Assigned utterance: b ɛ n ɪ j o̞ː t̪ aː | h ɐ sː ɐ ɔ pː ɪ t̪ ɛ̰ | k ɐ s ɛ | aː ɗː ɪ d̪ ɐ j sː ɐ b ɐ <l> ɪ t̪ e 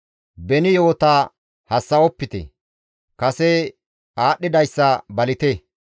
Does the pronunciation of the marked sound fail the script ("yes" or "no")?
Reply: no